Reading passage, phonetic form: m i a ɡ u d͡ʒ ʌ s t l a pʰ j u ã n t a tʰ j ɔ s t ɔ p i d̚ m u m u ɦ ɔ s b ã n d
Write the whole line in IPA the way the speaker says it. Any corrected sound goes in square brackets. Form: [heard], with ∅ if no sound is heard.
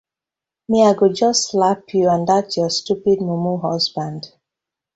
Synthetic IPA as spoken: m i a ɡ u d͡ʒ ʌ s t l a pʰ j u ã n [d] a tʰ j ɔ s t [u] p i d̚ m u m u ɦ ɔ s b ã n d